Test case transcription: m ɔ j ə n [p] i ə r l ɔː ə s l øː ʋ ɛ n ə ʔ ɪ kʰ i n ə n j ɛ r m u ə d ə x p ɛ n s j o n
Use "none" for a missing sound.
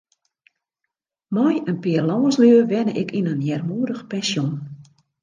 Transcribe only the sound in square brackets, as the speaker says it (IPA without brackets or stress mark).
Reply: p